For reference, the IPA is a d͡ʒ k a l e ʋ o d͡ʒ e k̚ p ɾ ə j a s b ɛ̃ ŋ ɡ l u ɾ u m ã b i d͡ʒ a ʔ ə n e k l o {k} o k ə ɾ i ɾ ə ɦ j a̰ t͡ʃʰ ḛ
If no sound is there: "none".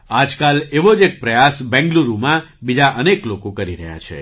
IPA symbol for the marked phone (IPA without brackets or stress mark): k